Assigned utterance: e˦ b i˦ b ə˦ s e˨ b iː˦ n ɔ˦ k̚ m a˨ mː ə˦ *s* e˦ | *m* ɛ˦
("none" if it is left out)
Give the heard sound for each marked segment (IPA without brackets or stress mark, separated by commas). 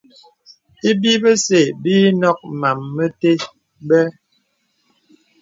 t, b